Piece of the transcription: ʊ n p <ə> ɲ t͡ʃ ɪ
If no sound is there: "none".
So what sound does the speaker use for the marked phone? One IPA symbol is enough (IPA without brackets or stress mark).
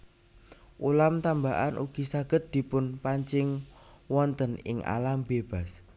a